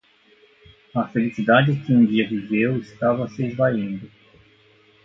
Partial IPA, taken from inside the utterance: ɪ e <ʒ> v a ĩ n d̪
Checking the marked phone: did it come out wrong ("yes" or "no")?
yes